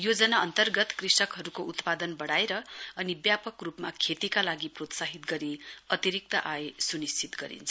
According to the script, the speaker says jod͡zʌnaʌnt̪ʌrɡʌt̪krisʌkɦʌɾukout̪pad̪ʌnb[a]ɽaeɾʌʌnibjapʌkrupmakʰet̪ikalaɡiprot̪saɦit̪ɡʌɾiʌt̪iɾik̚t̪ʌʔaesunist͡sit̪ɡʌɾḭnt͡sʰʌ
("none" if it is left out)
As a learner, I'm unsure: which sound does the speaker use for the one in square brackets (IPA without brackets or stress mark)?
ʌ